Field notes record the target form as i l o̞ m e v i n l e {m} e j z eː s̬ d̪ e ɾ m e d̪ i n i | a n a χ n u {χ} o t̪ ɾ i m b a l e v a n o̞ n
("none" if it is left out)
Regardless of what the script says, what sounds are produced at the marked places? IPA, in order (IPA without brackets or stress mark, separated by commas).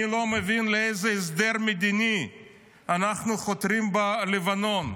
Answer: none, χ